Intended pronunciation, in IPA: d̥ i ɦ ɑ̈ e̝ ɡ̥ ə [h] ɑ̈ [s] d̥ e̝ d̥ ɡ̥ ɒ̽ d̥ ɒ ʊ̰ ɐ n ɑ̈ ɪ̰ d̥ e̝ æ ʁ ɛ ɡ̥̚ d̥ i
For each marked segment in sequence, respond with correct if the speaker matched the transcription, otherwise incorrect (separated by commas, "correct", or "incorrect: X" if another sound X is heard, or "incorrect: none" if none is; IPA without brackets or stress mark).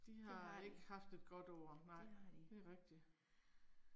correct, incorrect: f